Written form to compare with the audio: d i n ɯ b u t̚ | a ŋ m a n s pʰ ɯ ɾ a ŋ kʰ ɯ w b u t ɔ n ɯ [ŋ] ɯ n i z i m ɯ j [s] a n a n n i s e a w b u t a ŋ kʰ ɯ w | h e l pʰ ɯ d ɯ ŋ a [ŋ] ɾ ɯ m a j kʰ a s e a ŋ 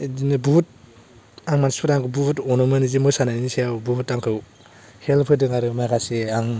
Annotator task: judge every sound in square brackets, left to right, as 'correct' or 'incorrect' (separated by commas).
incorrect, correct, incorrect